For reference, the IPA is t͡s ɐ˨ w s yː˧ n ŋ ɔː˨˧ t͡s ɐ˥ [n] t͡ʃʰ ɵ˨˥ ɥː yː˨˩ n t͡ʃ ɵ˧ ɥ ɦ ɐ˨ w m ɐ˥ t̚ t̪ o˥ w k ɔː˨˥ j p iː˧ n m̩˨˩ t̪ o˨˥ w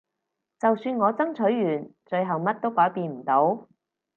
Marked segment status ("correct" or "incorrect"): incorrect